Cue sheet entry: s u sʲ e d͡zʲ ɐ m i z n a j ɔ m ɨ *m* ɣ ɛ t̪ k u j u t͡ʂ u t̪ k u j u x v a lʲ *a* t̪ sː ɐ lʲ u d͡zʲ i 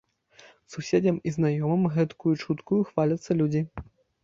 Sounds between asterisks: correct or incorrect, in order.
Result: correct, incorrect: ɐ

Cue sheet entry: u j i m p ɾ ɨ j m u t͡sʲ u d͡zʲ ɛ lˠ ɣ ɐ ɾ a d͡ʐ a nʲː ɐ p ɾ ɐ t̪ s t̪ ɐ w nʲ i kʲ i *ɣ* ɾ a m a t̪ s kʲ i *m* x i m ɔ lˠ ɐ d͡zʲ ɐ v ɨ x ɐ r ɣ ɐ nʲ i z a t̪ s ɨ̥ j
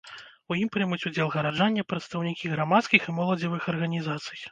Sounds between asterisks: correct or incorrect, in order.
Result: correct, incorrect: none

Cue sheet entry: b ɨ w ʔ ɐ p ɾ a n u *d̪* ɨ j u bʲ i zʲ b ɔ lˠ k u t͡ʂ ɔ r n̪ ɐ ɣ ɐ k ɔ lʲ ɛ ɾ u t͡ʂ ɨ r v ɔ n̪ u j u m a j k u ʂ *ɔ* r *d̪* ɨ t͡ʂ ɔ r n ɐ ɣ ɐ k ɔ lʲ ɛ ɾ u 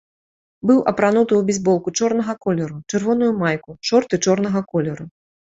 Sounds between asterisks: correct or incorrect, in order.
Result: incorrect: t̪, correct, incorrect: t̪

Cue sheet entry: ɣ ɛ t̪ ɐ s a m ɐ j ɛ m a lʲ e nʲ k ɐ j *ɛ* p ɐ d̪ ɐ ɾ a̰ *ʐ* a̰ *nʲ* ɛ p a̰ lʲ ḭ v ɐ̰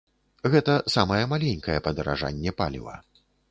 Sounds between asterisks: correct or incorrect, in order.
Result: correct, correct, incorrect: nʲː

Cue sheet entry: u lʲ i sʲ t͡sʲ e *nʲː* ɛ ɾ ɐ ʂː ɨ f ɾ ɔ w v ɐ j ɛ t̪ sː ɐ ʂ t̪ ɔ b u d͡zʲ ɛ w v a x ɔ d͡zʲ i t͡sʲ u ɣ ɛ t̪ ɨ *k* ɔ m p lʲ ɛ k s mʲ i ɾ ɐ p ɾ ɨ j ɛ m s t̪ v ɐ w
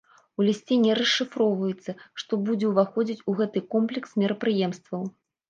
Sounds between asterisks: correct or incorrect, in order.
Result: incorrect: nʲ, correct

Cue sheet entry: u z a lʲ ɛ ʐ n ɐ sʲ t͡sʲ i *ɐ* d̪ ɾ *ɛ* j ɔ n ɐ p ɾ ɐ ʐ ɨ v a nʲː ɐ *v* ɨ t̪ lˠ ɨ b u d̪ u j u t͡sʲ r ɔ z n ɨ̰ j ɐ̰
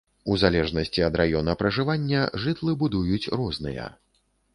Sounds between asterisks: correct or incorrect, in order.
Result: correct, incorrect: a, incorrect: ʐ

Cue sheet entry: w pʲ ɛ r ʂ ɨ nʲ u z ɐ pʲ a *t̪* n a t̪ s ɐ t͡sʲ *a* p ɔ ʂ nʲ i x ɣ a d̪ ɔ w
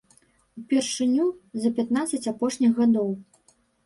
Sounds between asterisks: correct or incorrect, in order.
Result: correct, correct

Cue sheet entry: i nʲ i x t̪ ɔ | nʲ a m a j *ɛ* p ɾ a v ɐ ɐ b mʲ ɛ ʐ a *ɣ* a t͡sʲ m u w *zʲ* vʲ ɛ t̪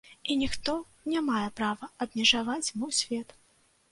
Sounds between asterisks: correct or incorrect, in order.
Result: correct, incorrect: v, incorrect: sʲ

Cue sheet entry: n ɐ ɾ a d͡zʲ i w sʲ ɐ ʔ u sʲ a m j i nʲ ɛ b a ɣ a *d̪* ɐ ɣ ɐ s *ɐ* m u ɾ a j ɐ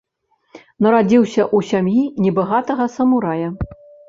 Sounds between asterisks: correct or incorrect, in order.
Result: incorrect: t̪, correct

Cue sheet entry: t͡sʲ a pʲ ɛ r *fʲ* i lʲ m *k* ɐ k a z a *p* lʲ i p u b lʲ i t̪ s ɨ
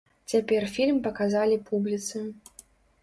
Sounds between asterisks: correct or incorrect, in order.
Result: correct, incorrect: p, incorrect: none

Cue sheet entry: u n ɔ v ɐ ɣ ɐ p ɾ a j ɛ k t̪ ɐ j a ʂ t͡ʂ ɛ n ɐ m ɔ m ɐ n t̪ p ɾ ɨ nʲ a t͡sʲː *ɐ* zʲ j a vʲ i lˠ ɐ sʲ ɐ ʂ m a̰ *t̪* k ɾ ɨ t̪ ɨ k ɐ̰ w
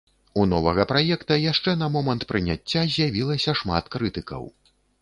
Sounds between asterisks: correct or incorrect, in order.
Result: incorrect: a, correct

